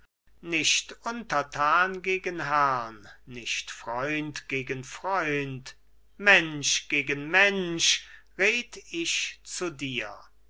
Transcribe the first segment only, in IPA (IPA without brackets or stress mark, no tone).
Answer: n